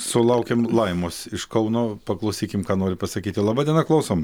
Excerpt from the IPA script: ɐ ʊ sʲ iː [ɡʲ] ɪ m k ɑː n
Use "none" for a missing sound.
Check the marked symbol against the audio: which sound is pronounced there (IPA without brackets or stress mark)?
kʲ